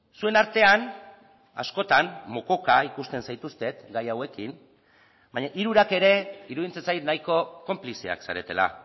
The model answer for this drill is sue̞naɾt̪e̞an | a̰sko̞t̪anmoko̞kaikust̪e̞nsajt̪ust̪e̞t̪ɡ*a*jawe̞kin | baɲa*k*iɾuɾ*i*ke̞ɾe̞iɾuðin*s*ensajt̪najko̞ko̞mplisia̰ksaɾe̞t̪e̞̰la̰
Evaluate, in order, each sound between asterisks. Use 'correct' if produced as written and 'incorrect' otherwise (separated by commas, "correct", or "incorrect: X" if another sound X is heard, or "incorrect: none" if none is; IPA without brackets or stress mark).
correct, incorrect: ʔ, incorrect: a, incorrect: t͡s